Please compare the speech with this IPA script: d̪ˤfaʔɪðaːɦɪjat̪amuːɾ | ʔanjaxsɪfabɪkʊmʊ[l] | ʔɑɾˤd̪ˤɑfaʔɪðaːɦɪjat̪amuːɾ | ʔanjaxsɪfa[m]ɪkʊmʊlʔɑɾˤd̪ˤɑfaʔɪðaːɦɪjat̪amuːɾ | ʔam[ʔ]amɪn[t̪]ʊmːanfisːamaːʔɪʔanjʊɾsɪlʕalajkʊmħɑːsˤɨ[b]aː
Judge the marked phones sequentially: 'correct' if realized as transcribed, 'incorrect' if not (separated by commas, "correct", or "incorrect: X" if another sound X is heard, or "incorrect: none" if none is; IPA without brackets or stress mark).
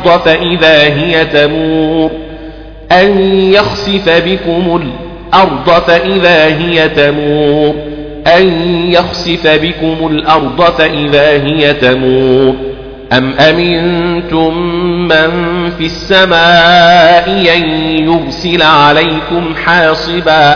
correct, incorrect: b, correct, correct, correct